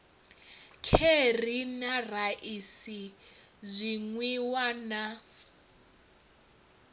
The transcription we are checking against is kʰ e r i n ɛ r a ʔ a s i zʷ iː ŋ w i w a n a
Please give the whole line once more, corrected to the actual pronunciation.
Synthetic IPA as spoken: kʰ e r i n a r a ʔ i s i zʷ i ŋ w i w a n a